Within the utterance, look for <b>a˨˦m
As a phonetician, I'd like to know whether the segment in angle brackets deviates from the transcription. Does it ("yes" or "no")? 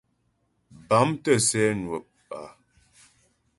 no